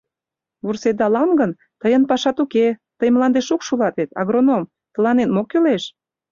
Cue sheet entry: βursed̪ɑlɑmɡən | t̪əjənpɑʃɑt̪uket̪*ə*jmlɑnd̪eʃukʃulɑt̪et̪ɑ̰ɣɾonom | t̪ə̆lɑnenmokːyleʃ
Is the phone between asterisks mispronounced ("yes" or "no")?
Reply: no